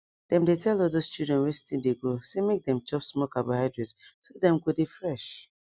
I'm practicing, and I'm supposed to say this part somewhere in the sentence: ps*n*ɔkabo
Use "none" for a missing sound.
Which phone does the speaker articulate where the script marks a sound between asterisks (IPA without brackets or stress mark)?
m